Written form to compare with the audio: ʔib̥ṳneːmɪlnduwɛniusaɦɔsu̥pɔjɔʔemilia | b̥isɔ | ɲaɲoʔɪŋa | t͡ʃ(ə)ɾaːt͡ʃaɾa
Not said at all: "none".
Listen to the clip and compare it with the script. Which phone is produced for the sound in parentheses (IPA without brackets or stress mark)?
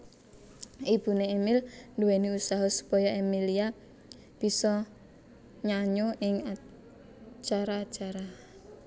a